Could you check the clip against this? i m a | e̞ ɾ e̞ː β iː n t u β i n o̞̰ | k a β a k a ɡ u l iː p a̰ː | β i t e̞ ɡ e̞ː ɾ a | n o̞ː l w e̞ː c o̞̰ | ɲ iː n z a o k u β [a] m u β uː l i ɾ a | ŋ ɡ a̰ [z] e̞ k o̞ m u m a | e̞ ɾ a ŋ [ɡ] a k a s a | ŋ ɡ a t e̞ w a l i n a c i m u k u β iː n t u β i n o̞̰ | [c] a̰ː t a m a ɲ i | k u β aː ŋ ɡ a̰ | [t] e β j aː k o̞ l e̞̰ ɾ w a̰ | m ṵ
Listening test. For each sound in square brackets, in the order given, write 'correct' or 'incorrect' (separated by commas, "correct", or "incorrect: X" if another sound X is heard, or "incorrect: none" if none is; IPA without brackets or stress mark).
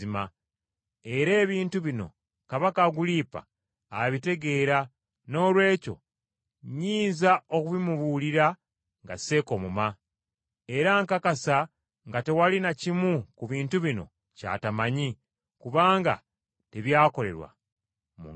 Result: incorrect: i, incorrect: s, incorrect: k, correct, correct